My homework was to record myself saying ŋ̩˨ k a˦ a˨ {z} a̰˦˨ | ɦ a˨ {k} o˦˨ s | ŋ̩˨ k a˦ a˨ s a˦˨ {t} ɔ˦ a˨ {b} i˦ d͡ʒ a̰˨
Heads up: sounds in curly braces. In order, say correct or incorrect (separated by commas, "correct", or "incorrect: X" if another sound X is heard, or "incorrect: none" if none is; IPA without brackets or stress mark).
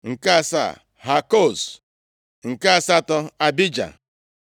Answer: incorrect: s, correct, correct, correct